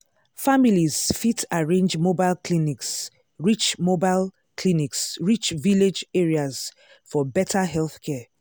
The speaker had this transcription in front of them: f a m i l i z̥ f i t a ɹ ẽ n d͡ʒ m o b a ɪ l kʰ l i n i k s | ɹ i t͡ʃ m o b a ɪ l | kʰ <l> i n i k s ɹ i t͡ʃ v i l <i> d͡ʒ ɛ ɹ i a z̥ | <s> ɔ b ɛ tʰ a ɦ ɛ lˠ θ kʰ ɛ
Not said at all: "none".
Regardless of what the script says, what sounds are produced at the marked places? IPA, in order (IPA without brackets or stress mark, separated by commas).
l, e, f